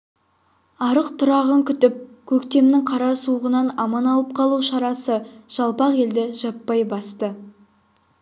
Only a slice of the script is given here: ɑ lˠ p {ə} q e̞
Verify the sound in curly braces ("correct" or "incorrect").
incorrect